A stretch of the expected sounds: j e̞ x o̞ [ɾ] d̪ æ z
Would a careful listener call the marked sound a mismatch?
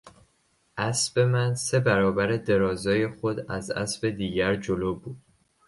yes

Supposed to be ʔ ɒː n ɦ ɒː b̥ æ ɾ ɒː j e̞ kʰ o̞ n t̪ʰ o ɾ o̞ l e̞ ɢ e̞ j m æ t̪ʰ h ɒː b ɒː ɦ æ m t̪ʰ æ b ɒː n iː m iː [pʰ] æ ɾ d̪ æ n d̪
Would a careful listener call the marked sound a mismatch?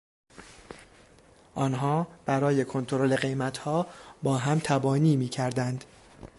yes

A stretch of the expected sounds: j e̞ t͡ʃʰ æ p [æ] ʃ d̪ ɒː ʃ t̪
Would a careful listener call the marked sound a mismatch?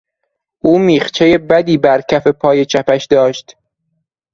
no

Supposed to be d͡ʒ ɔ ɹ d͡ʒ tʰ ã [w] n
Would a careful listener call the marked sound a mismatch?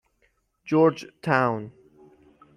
no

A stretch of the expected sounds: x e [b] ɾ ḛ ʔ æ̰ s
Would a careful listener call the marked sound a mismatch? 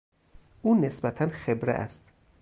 no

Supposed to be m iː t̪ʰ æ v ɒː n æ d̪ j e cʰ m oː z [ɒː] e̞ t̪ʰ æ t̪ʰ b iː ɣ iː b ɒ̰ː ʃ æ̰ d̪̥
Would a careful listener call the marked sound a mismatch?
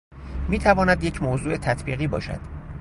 yes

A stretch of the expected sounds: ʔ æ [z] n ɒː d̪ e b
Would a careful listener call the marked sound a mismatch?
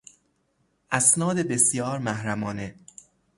yes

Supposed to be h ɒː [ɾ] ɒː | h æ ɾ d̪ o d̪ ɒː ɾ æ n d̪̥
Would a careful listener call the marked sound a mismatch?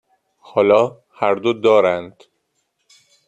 yes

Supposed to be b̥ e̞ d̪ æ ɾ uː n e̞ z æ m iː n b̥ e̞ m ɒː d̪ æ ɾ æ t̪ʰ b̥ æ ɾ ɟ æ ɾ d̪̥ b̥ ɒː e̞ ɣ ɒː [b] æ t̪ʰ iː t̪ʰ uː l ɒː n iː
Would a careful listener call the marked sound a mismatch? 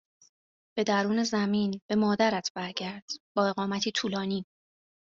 yes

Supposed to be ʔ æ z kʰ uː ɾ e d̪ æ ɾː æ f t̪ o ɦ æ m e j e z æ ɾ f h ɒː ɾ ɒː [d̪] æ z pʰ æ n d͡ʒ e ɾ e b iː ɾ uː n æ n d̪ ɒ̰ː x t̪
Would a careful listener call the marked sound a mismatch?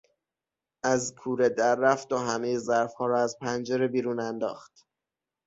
yes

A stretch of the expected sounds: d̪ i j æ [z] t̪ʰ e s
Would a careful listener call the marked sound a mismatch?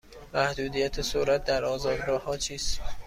yes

